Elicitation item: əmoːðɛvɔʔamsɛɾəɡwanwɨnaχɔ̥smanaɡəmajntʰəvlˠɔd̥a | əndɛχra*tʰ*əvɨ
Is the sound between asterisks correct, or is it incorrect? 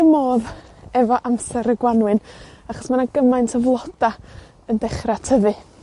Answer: correct